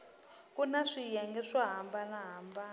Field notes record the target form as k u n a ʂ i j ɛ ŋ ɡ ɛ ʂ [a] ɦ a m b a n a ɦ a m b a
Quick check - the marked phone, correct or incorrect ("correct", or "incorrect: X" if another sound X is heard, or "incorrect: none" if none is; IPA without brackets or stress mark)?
correct